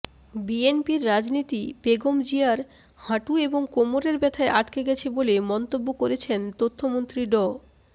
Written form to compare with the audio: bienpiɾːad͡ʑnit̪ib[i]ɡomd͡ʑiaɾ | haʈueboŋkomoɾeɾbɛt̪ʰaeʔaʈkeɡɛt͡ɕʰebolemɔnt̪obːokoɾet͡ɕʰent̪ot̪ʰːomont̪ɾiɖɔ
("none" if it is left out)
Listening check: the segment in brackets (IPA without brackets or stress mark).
e